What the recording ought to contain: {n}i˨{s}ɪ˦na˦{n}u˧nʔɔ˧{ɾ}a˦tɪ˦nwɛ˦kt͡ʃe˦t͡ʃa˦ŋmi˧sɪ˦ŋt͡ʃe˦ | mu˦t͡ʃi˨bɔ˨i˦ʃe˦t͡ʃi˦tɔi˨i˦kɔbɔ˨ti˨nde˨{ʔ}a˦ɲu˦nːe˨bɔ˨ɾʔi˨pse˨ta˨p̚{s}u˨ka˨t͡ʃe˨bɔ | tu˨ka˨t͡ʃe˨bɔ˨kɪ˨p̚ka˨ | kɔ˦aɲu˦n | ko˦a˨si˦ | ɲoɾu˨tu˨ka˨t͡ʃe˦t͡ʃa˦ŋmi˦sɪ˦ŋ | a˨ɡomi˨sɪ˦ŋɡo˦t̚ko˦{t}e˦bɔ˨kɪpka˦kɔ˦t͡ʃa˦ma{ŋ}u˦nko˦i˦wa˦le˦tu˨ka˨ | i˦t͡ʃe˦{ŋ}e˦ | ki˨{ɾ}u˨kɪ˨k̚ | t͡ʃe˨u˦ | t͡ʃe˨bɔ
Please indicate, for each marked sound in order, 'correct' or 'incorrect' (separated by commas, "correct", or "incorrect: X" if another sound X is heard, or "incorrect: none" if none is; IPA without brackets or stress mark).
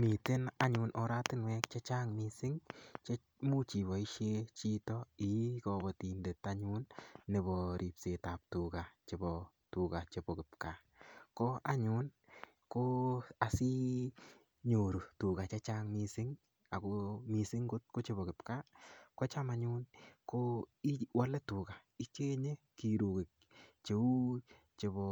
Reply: incorrect: m, incorrect: t, incorrect: ɲ, correct, incorrect: t, incorrect: t, incorrect: t͡ʃ, incorrect: ɲ, incorrect: ɲ, correct